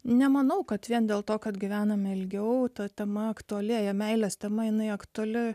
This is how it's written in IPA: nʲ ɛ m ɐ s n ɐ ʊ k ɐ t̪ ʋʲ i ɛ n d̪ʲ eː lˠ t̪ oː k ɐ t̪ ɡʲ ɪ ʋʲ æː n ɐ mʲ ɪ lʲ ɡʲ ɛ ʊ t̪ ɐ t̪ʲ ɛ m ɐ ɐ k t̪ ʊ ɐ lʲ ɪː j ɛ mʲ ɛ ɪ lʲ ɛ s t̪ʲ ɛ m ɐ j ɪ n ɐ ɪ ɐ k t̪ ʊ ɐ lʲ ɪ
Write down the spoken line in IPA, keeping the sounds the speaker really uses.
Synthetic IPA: nʲ ɛ m ɐ n ɐ ʊ k ɐ t̪ ʋʲ i ɛ n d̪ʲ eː lˠ t̪ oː k ɐ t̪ ɡʲ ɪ ʋʲ æː n ɐ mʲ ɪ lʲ ɡʲ ɛ ʊ t̪ ɐ t̪ʲ ɛ m ɐ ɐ k t̪ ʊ ɐ lʲ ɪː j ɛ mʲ ɛ ɪ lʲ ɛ s t̪ʲ ɛ m ɐ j ɪ n ɐ ɪ ɐ k t̪ ʊ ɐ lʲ ɪ

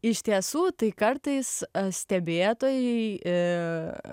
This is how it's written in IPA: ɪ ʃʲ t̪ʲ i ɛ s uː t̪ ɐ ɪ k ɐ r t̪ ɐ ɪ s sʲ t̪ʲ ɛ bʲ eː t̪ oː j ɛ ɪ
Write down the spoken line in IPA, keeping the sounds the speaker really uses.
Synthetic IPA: ɪ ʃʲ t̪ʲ i ɛ s uː t̪ ɐ ɪ k ɐ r t̪ ɐ ɪ s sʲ t̪ʲ ɛ bʲ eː t̪ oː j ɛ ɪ

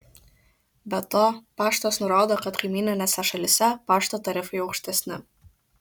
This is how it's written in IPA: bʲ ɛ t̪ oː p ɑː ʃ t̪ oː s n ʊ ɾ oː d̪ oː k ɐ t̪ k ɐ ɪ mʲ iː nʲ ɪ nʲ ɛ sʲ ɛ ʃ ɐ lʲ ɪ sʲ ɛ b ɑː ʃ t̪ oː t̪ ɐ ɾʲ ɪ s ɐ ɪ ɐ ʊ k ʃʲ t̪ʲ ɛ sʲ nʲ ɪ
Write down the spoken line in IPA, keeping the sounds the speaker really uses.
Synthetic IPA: bʲ ɛ t̪ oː p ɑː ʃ t̪ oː s n ʊ ɾ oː d̪ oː k ɐ t̪ k ɐ ɪ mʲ iː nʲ ɪ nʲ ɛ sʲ ɛ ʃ ɐ lʲ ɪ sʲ ɛ p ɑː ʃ t̪ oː t̪ ɐ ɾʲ ɪ f ɐ ɪ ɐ ʊ k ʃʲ t̪ʲ ɛ sʲ nʲ ɪ

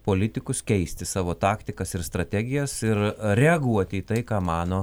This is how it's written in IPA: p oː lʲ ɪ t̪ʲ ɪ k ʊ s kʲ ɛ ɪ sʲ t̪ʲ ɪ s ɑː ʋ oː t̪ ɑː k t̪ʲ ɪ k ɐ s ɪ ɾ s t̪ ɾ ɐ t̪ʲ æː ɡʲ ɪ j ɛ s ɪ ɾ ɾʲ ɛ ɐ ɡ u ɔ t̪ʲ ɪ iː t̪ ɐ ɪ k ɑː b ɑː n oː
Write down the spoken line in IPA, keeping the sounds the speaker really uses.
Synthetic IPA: p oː lʲ ɪ t̪ʲ ɪ k ʊ s kʲ ɛ ɪ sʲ t̪ʲ ɪ s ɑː ʋ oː t̪ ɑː k t̪ʲ ɪ k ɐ s ɪ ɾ s t̪ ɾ ɐ t̪ʲ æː ɡʲ ɪ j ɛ s ɪ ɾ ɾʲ ɛ ɐ ɡ u ɔ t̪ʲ ɪ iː t̪ ɐ ɪ k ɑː m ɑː n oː

